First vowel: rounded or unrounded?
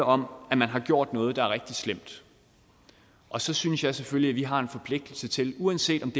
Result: rounded